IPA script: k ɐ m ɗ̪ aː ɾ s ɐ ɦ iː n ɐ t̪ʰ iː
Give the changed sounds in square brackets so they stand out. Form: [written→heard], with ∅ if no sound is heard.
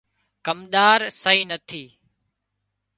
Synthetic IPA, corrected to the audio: k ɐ m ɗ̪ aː ɾ s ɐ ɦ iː n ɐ t̪ʰ iː